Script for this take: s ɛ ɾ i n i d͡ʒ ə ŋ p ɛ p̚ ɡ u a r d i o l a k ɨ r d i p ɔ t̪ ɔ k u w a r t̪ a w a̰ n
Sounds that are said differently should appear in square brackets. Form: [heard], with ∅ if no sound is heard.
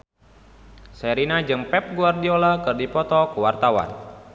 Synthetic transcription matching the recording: s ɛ ɾ i n [a] d͡ʒ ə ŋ p ɛ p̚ ɡ u a r d i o l a k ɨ r d i p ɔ t̪ ɔ k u w a r t̪ a w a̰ n